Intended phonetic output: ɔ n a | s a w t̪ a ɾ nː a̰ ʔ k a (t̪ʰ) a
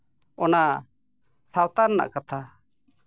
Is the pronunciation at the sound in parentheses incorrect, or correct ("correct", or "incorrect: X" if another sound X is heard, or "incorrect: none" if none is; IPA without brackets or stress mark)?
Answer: correct